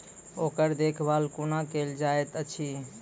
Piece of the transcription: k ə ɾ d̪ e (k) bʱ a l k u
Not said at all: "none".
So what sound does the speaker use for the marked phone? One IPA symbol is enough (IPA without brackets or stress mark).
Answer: kʰ